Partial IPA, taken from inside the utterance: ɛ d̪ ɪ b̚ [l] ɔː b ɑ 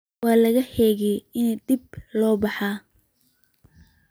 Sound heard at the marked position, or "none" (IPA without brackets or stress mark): l